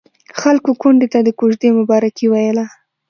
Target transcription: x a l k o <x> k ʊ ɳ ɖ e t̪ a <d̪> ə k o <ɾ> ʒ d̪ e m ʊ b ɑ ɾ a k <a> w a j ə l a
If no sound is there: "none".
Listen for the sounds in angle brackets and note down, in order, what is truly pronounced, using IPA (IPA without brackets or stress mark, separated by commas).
none, d̪, none, i